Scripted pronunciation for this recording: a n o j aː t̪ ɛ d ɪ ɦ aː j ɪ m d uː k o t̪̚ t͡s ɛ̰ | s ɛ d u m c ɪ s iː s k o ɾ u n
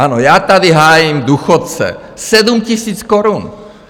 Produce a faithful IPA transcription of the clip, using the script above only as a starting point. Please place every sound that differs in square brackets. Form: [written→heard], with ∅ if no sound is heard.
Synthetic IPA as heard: a n o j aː t̪ [ɛ→a] d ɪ ɦ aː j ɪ m d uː [k→x] o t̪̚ t͡s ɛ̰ | s ɛ d u m c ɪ s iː [s→t͡s] k o ɾ u n